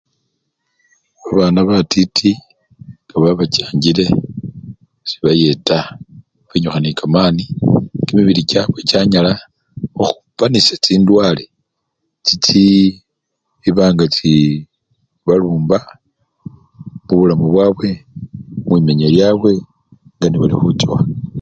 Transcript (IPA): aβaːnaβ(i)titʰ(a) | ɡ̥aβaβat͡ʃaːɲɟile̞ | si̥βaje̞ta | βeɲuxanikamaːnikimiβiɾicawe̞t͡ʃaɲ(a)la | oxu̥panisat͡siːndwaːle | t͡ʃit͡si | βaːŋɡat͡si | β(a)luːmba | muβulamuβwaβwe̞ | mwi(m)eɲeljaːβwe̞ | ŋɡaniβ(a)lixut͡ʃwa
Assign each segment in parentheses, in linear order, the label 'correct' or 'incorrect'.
incorrect: a, incorrect: i, correct, correct, correct, correct

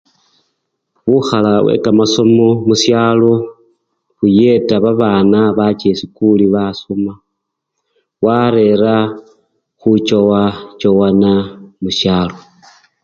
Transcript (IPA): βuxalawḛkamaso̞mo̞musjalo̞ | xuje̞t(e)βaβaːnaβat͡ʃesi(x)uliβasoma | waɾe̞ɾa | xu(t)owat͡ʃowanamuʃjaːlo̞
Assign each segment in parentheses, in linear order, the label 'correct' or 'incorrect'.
incorrect: a, incorrect: k, incorrect: t͡ʃ

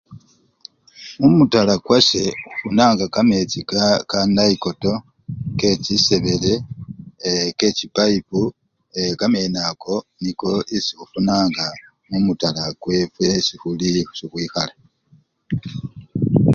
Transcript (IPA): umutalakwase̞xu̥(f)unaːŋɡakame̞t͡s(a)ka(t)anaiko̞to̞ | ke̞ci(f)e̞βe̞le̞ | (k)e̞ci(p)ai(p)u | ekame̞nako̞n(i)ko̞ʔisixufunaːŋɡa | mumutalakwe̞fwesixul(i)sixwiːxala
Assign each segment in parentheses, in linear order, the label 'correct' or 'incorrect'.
correct, incorrect: i, incorrect: k, incorrect: s, correct, correct, correct, correct, correct

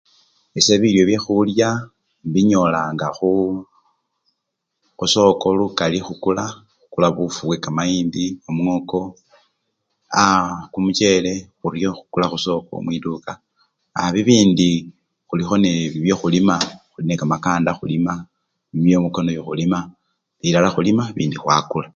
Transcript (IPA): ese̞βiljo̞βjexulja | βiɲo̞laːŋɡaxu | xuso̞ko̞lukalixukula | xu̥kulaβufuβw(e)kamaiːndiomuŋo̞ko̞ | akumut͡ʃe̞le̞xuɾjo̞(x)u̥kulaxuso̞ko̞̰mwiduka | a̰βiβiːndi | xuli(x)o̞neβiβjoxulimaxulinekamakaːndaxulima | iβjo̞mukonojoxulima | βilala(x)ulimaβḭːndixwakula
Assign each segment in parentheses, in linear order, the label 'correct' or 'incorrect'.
correct, correct, correct, correct

